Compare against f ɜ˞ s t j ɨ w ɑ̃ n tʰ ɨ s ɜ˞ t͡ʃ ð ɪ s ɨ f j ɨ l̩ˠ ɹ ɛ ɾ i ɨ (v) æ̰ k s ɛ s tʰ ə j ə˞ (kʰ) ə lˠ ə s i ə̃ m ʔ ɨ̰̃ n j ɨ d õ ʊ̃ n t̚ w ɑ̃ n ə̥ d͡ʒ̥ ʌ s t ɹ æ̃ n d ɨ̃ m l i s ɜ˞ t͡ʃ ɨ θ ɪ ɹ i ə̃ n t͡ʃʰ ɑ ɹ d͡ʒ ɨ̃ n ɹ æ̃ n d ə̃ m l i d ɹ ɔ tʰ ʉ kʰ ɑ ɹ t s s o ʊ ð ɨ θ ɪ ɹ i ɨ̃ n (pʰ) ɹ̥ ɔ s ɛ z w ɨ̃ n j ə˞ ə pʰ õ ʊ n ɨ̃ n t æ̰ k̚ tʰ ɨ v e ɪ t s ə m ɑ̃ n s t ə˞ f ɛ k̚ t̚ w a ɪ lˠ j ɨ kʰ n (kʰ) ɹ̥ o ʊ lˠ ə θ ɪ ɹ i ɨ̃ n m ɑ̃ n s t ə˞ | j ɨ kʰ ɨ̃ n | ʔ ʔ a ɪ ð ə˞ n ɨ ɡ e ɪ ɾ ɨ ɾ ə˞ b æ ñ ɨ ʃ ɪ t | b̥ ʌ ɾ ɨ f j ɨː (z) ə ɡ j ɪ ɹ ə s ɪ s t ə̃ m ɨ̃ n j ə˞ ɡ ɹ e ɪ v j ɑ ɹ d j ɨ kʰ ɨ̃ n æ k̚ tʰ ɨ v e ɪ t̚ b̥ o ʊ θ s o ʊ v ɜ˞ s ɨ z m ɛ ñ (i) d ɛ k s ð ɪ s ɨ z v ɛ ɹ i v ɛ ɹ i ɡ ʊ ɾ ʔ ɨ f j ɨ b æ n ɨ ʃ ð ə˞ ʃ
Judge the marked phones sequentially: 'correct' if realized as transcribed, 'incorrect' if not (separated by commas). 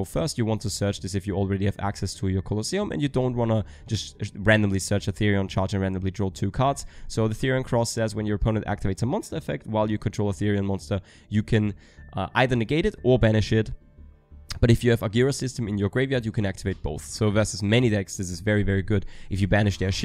correct, correct, incorrect, incorrect, incorrect, correct